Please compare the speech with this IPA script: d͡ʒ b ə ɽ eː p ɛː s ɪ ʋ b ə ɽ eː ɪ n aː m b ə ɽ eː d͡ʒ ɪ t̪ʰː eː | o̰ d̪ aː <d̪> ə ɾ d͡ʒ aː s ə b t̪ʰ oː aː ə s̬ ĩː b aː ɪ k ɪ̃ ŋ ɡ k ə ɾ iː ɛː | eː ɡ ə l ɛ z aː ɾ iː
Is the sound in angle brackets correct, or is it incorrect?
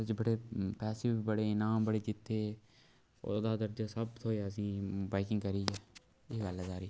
correct